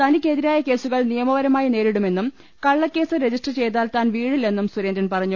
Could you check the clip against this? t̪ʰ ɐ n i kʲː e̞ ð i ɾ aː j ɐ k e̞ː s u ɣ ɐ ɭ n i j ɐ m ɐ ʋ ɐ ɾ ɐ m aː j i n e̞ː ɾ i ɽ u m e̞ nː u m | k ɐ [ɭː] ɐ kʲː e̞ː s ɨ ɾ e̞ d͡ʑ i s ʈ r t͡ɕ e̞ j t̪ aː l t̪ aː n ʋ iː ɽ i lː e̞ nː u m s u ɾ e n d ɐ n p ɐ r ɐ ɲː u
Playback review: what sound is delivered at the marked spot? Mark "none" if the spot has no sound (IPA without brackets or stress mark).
ɭː